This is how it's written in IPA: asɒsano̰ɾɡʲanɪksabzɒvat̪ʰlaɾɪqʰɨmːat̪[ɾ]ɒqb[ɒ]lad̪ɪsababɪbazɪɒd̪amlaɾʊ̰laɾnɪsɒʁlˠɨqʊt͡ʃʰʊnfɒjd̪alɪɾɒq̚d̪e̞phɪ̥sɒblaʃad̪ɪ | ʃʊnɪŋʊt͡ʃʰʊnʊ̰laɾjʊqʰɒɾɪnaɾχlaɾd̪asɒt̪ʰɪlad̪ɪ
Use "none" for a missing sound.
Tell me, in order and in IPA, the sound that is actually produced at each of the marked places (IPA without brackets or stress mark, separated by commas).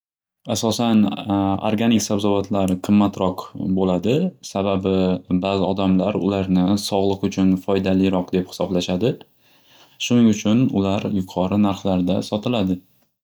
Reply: ɾ, o